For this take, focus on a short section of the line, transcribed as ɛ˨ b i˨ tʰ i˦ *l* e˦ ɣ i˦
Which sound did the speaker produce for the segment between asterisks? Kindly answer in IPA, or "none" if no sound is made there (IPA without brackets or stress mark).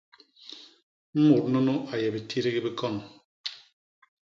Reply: ɾ